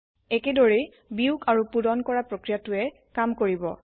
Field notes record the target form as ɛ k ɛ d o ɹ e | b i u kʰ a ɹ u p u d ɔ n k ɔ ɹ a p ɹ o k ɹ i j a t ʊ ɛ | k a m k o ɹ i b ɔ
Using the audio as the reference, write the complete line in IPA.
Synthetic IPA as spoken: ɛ k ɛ d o ɹ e | b i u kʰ a ɹ u p u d ɔ n k ɔ ɹ a p ɹ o k ɹ i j a t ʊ ɛ | k a m k o ɹ i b ɔ

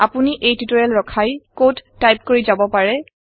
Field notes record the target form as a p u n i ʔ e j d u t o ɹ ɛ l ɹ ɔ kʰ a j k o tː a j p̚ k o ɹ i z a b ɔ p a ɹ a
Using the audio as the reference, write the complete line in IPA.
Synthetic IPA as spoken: a p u n i ʔ e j t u t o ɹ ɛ l ɹ ɔ kʰ a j k o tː a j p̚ k o ɹ i z a b ɔ p a ɹ ɛ

